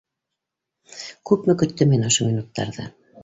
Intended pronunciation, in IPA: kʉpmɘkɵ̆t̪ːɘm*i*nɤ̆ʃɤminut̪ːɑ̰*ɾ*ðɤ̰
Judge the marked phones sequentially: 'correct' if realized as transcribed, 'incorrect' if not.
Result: correct, correct

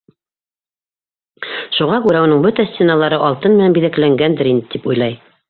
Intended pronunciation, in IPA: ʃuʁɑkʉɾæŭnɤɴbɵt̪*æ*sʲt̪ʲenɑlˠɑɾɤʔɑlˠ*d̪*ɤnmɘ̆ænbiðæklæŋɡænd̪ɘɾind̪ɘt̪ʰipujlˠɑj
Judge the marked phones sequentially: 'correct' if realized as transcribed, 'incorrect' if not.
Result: correct, incorrect

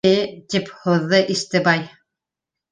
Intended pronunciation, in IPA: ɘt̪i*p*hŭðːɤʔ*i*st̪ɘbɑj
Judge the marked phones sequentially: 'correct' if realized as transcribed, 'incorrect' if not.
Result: correct, correct

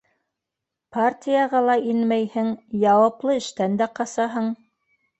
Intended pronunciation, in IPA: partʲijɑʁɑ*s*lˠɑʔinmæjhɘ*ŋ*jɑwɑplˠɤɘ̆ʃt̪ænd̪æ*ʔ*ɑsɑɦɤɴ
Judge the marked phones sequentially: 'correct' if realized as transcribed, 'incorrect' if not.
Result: incorrect, correct, incorrect

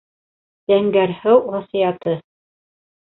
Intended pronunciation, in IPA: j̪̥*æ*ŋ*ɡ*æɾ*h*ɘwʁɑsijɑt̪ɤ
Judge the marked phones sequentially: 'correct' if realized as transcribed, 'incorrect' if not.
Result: correct, correct, correct

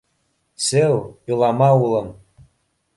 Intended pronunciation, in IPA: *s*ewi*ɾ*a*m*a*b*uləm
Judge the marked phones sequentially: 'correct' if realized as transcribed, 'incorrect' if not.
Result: correct, incorrect, correct, incorrect

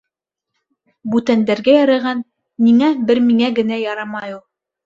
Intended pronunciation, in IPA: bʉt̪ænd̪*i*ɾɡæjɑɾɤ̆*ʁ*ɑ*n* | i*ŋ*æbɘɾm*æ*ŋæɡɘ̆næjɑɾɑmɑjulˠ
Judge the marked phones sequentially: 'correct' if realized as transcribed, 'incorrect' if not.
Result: incorrect, correct, incorrect, correct, incorrect

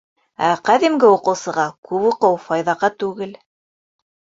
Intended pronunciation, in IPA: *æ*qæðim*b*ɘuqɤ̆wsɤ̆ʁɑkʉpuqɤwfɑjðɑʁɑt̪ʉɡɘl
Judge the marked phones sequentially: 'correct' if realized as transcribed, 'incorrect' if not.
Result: correct, incorrect

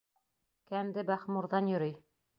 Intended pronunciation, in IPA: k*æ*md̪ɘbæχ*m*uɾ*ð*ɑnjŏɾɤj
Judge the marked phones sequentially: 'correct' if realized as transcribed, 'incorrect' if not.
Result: correct, correct, correct

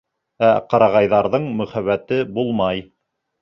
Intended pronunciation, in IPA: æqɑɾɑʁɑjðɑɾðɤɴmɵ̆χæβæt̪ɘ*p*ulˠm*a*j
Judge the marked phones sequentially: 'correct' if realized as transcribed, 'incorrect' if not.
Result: incorrect, incorrect

